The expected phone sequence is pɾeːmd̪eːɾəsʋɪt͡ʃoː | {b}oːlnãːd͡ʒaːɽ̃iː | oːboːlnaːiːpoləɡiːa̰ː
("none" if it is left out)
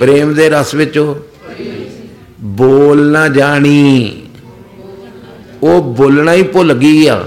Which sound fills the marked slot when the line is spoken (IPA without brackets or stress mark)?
b